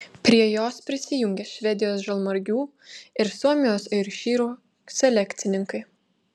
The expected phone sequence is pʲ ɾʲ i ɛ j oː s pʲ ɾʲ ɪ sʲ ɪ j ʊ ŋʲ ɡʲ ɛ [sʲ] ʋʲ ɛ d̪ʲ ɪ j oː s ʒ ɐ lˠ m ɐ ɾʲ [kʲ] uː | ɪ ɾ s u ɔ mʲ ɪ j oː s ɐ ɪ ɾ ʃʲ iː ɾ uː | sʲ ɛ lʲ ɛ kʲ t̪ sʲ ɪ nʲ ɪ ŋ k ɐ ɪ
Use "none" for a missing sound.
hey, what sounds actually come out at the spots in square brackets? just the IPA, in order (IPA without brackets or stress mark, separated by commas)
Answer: ʃʲ, ɡʲ